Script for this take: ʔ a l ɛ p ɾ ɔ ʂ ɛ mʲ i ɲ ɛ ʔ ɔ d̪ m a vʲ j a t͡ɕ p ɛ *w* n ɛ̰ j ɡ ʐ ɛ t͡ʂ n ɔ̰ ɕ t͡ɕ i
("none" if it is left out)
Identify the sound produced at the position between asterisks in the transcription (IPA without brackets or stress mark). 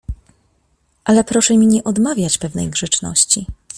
v